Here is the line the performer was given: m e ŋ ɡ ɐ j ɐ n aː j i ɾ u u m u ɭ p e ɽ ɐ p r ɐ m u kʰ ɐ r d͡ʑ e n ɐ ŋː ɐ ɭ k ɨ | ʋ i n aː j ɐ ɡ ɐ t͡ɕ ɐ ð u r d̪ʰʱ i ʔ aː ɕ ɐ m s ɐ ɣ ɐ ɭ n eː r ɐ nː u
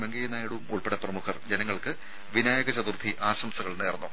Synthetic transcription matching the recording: m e ŋ ɡ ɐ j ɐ n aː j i ɽ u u m u ɭ p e ɽ ɐ p r ɐ m u kʰ ɐ r d͡ʑ e n ɐ ŋː ɐ ɭ k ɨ | ʋ i n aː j ɐ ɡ ɐ t͡ɕ ɐ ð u r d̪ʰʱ i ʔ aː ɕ ɐ m s ɐ ɣ ɐ ɭ n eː r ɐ nː u